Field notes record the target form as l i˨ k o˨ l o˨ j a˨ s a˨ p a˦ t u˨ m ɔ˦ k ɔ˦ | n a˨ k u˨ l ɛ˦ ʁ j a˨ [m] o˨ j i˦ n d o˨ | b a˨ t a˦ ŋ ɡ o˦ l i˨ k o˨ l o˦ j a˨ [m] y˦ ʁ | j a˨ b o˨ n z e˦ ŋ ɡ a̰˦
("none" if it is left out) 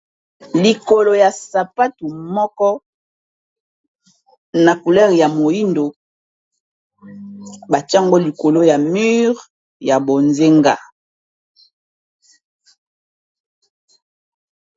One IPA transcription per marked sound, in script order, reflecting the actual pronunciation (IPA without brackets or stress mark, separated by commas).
m, m